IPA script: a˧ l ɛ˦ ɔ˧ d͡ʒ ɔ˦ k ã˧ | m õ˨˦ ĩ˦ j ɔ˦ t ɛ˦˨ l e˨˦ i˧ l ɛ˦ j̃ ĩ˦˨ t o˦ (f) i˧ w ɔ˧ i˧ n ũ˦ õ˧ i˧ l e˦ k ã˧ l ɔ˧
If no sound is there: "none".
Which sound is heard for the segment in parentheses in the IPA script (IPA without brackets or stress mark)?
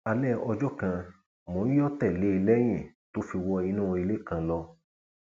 f